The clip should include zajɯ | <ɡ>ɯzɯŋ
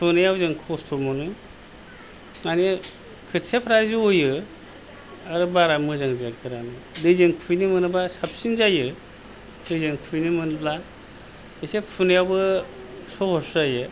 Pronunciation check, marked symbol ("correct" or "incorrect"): incorrect